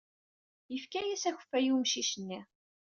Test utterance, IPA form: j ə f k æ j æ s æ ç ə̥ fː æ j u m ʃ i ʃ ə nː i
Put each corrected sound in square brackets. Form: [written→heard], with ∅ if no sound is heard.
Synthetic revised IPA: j ə f k æ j æ s æ ç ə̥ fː æ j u m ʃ i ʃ ə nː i

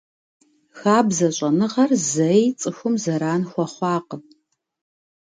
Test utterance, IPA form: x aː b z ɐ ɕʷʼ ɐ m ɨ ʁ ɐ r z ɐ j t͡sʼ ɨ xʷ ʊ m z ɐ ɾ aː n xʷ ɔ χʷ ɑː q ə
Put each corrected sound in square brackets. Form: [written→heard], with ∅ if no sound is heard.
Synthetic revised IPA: x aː b z ɐ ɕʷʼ ɐ [m→n] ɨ ʁ ɐ r z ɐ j t͡sʼ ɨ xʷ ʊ m z ɐ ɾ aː n xʷ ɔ χʷ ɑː q ə

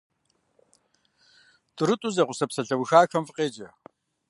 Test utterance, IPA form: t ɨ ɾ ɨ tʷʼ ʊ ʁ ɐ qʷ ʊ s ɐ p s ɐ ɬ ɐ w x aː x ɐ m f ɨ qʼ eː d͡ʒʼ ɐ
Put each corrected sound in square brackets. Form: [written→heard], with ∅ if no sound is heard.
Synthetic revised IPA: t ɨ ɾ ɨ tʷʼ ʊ [ʁ→z] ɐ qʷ ʊ s ɐ p s ɐ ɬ ɐ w x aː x ɐ m f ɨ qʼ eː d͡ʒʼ ɐ

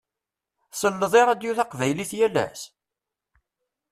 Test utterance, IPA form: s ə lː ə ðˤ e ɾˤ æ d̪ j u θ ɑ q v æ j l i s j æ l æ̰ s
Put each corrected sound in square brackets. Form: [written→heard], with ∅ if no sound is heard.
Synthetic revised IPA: s ə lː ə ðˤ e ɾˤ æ d̪ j u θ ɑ q v æ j l i [s→θ] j æ l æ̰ s

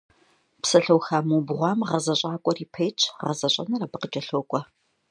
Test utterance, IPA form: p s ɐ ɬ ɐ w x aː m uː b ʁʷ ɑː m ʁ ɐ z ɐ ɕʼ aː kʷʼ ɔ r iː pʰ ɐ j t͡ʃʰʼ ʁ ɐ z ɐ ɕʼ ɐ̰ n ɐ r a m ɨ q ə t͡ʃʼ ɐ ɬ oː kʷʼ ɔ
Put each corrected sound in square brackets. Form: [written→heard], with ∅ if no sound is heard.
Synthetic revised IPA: p s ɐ ɬ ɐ w x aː m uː b ʁʷ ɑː m ʁ ɐ z ɐ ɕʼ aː kʷʼ ɔ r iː pʰ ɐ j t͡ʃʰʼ ʁ ɐ z ɐ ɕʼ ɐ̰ n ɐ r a [m→b] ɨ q ə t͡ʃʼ ɐ ɬ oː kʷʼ ɔ

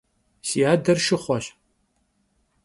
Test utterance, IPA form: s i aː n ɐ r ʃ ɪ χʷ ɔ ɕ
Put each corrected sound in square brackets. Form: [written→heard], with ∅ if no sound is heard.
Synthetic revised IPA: s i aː [n→d] ɐ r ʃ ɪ χʷ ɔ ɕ

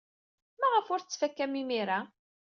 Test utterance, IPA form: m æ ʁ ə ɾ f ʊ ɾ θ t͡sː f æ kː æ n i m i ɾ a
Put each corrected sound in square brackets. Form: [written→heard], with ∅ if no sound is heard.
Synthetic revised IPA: m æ ʁ ə [ɾ→∅] f ʊ ɾ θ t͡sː f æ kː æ [n→m] i m i ɾ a

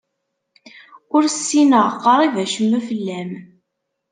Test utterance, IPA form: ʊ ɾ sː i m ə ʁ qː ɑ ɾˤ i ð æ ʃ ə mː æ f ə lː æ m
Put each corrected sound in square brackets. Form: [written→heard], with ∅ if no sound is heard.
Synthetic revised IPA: ʊ ɾ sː i [m→n] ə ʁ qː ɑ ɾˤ i [ð→v] æ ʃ ə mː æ f ə lː æ m

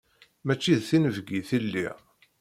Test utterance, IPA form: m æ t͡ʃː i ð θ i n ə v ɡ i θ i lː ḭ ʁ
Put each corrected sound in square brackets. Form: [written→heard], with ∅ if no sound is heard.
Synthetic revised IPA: m æ t͡ʃː i ð θ i n ə v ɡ i θ i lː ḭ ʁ

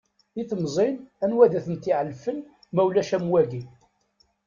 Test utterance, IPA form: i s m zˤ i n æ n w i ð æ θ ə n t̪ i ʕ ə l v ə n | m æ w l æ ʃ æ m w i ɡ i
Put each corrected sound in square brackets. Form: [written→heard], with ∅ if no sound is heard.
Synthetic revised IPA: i [s→θ] m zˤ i n æ n w [i→æ] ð æ θ ə n t̪ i ʕ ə l [v→f] ə n | m æ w l æ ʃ æ m w [i→æ] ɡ i

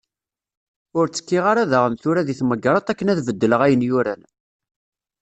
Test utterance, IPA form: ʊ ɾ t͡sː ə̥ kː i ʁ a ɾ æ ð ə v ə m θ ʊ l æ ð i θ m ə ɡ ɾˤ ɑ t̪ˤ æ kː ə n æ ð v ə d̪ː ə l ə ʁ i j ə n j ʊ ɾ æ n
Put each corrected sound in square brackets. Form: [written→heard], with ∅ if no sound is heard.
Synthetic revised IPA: ʊ ɾ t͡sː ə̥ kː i ʁ a ɾ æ ð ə [v→ʁ] ə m θ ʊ [l→ɾ] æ ð i θ m ə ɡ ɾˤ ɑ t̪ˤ æ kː ə n æ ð v ə d̪ː ə l ə ʁ [i→æ] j ə n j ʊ ɾ æ n

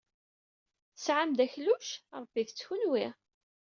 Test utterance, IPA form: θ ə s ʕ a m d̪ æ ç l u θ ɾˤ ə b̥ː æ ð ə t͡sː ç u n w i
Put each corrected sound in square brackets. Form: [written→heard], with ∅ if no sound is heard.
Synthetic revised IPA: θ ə s ʕ a m d̪ æ ç l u [θ→ʃ] ɾˤ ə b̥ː [æ→i] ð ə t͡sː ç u n w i

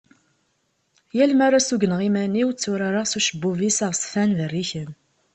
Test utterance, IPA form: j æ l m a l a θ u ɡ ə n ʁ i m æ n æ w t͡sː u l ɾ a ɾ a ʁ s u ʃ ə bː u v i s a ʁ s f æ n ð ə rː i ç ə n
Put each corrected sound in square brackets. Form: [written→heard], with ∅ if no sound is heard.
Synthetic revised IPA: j æ l m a [l→ɾ] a [θ→s] u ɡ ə n ʁ i m æ n [æ→i] w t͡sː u [l→∅] ɾ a ɾ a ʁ s u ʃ ə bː u v i s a ʁ s f æ n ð ə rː i ç ə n

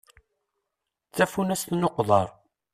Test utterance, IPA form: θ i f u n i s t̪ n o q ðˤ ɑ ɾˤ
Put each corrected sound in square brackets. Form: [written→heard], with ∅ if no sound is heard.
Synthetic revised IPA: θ [i→æ] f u n [i→æ] s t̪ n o q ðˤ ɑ ɾˤ

